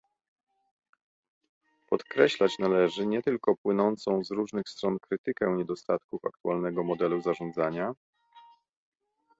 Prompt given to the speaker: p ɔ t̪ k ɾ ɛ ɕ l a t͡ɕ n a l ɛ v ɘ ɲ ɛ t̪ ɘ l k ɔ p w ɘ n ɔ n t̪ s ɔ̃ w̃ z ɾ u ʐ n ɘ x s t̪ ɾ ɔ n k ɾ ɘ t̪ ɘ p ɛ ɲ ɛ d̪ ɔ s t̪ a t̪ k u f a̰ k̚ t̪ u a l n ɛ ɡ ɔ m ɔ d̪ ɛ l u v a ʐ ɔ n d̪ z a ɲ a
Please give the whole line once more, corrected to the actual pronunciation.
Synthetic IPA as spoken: p ɔ t̪ k ɾ ɛ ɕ l a t͡ɕ n a l ɛ ʐ ɘ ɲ ɛ t̪ ɘ l k ɔ p w ɘ n ɔ n t̪ s ɔ̃ w̃ z ɾ u ʐ n ɘ x s t̪ ɾ ɔ n k ɾ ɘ t̪ ɘ k ɛ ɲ ɛ d̪ ɔ s t̪ a t̪ k u f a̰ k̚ t̪ u a l n ɛ ɡ ɔ m ɔ d̪ ɛ l u z a ʐ ɔ n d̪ z a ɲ a